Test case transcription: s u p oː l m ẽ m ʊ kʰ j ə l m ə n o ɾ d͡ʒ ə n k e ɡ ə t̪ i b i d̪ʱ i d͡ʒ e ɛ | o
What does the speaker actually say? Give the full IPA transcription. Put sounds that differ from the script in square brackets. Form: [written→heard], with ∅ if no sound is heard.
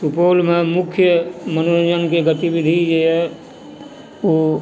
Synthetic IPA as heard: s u p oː l m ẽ m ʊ kʰ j ə [l→∅] m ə n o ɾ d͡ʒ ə n k e ɡ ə t̪ i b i d̪ʱ i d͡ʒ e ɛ | o